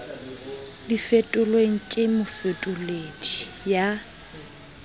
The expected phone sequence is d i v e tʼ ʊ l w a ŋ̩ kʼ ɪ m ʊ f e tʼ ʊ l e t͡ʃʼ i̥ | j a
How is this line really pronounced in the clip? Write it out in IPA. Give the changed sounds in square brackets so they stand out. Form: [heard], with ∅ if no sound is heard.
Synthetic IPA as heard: d i [f] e tʼ ʊ l w [e] ŋ̩ kʼ ɪ m ʊ f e tʼ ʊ l e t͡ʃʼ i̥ | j a